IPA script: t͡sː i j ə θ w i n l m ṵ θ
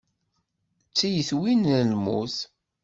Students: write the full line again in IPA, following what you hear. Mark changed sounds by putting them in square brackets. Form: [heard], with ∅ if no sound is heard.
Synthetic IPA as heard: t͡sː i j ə θ w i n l m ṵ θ